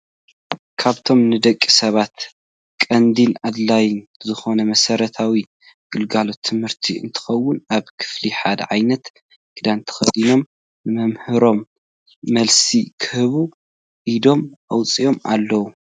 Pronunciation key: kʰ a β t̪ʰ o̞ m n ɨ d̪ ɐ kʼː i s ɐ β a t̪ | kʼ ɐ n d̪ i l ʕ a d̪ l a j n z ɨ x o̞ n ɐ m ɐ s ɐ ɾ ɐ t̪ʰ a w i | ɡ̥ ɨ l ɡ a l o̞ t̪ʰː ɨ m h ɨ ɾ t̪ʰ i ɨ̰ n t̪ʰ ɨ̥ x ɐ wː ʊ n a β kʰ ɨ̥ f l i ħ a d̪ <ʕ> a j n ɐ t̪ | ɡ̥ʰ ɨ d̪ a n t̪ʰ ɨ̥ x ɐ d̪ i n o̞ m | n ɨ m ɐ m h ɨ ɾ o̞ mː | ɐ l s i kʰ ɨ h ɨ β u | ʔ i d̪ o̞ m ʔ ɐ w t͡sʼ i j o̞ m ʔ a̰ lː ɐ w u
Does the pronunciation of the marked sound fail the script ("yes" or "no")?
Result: no